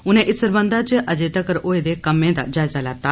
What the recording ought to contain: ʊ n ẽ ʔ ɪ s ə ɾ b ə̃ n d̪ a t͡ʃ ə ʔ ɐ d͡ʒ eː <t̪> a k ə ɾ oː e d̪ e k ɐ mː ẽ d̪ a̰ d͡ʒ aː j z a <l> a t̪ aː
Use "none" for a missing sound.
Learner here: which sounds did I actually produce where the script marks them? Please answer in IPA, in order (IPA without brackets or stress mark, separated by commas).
t̪, l